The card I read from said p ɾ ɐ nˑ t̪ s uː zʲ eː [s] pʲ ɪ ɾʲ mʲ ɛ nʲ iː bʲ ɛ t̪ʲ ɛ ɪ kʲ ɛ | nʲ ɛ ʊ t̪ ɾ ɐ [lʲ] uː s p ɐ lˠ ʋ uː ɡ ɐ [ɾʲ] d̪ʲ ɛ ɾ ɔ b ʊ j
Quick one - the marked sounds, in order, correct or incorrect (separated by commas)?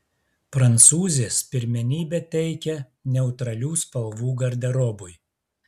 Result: correct, correct, correct